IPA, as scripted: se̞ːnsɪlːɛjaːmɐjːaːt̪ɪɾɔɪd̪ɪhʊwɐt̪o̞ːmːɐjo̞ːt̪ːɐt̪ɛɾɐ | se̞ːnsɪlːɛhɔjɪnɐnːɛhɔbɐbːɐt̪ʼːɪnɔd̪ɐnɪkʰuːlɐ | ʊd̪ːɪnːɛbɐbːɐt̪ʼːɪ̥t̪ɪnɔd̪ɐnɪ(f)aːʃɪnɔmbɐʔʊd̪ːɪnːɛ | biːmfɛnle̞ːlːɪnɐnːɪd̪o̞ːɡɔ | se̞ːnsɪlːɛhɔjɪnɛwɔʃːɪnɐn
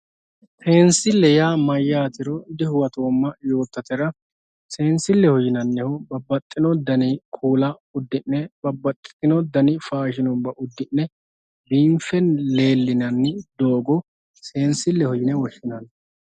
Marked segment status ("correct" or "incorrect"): correct